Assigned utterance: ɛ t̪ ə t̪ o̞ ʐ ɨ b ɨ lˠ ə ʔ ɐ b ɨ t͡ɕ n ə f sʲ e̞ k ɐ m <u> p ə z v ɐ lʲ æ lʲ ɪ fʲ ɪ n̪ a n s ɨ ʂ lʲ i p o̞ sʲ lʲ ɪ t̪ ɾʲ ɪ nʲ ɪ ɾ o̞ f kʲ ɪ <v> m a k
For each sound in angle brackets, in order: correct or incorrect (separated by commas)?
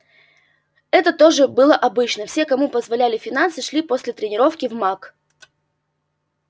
correct, correct